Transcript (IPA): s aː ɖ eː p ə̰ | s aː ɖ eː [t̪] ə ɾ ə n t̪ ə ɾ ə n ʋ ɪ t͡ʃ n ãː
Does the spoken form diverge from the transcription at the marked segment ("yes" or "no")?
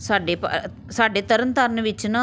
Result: no